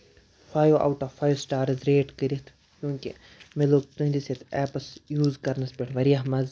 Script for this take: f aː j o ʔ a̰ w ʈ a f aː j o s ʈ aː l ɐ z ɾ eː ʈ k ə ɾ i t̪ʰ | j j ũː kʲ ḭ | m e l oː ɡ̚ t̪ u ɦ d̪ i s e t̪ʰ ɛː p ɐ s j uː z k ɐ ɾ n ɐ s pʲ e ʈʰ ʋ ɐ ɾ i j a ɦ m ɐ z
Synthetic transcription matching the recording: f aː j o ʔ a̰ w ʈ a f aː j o s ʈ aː ɾ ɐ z ɾ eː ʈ k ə ɾ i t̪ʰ | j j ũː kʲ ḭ | m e l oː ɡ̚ t̪ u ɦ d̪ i s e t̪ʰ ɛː p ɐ s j uː z k ɐ ɾ n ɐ s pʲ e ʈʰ ʋ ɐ ɾ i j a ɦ m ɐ z